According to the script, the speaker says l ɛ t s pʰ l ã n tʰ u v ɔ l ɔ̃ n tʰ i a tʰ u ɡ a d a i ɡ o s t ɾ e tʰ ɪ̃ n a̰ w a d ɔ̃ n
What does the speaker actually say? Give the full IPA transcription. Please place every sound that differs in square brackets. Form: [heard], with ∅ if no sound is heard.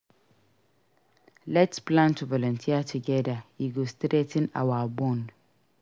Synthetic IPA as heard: l ɛ t s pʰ l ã n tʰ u v ɔ l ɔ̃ n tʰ i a tʰ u ɡ [ɛ] d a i ɡ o s t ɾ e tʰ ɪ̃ n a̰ w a [b] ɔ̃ n

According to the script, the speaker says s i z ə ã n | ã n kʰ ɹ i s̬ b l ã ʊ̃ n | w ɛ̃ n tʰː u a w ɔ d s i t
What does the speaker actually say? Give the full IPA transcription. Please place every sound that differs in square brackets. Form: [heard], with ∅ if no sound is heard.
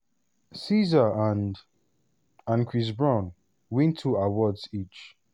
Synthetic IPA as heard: s i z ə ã n | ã n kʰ ɹ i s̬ b [ɹ] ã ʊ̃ n | w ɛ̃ n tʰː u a w ɔ d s i [t͡ʃ]

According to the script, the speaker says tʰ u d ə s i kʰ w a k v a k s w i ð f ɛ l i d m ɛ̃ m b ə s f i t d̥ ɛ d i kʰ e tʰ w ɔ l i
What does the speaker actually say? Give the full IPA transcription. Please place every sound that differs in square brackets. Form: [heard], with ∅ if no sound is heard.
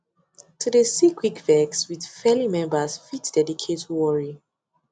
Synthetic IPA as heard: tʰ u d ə s i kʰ w [i] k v [ɛ] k s w i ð f ɛ l i [∅] m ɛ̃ m b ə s f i t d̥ ɛ d i kʰ e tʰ w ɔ [ɹ] i

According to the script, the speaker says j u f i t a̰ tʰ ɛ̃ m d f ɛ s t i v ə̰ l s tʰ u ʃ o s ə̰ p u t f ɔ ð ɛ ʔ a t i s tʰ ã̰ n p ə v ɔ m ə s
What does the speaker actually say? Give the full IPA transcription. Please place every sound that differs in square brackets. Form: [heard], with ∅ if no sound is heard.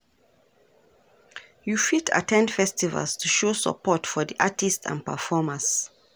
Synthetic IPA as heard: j u f i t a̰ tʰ ɛ̃ [n] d f ɛ s t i v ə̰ l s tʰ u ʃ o s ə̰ p [ɔ] t f ɔ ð [i] ʔ a t i s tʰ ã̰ n p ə [f] ɔ m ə s

